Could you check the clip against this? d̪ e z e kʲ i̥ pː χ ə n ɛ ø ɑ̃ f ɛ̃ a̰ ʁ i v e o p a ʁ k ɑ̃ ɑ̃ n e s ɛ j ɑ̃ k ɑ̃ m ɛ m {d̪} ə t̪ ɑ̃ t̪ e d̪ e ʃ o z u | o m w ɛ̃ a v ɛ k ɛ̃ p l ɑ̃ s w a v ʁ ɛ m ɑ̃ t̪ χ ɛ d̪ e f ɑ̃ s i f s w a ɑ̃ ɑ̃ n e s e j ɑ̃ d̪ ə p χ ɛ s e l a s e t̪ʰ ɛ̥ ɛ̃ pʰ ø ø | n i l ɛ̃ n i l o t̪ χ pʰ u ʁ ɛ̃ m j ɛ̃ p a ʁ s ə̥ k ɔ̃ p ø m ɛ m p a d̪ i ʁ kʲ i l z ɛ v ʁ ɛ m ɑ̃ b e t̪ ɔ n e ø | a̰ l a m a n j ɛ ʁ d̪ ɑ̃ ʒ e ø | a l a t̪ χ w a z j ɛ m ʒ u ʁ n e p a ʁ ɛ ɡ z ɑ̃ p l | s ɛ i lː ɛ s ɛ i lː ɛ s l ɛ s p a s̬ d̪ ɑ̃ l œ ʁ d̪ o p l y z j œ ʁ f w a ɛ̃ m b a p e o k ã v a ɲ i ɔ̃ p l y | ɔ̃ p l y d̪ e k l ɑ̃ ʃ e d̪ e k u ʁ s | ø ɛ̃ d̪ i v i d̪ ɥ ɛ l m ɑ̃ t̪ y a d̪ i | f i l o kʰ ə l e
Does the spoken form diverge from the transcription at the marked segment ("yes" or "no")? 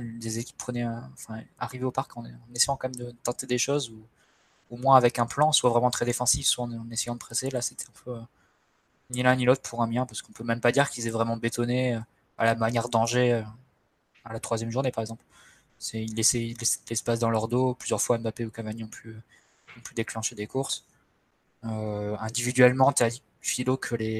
no